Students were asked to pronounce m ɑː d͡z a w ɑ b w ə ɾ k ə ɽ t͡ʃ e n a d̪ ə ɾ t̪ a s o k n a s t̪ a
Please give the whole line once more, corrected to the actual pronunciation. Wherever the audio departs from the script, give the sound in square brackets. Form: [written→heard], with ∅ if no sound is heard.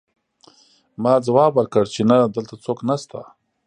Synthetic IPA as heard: m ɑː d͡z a w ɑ b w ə ɾ k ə ɽ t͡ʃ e n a d̪ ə [ɾ→l] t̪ a [s→t͡s] o k n a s t̪ a

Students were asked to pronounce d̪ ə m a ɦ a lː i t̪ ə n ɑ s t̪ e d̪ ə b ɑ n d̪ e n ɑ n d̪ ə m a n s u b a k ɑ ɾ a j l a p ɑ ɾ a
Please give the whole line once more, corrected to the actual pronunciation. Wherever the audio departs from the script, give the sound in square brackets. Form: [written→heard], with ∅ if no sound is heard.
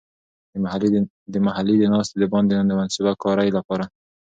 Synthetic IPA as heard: d̪ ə m a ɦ a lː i [t̪→d̪] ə n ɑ s t̪ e d̪ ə b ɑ n d̪ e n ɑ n d̪ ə m a n s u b a k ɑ ɾ a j l a p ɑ ɾ a

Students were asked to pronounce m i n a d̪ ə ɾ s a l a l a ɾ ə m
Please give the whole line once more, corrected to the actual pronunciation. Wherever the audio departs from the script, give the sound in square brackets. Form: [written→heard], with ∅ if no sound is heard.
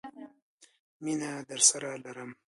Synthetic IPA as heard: m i n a d̪ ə ɾ s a [l→ɾ] a l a ɾ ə m

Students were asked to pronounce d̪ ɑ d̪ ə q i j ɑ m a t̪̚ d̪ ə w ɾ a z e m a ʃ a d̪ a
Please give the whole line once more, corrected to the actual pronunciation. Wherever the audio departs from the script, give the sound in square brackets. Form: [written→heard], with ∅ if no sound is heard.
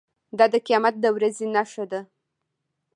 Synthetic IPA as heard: d̪ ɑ d̪ ə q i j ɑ m a t̪̚ d̪ ə w ɾ a z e [m→n] a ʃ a d̪ a

